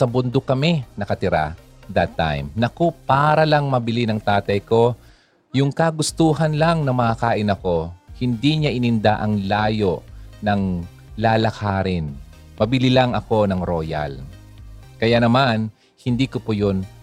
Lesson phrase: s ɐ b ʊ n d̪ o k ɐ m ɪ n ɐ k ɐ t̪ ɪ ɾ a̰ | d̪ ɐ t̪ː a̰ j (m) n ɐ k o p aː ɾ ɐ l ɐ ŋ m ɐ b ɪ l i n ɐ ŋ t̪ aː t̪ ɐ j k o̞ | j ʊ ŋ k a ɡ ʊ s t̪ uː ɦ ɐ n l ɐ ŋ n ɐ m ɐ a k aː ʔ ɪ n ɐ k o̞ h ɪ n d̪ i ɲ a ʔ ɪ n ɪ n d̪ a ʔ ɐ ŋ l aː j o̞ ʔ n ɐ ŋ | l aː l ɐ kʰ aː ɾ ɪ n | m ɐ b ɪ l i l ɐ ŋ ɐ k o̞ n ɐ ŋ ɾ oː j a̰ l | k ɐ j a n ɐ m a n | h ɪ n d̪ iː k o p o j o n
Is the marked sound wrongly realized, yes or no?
no